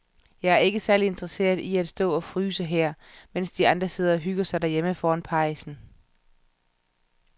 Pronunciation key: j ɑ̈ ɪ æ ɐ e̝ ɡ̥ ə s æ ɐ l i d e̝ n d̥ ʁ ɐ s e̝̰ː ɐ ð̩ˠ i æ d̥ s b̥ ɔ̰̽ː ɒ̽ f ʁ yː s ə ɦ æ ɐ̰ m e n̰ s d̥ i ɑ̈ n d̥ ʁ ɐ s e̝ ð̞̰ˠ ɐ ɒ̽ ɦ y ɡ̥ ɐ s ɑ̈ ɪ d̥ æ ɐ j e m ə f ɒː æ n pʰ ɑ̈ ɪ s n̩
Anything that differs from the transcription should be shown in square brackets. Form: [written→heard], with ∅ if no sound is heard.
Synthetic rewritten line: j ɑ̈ ɪ æ ɐ e̝ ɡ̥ ə s æ ɐ l i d e̝ n d̥ ʁ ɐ s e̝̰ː ɐ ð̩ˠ i æ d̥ s [b̥→d̥] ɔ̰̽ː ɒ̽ f ʁ yː s ə ɦ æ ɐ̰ m e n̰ s d̥ i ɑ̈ n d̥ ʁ ɐ s e̝ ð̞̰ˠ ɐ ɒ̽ ɦ y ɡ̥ ɐ s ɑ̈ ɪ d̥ æ ɐ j e m ə f ɒː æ n pʰ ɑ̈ ɪ s n̩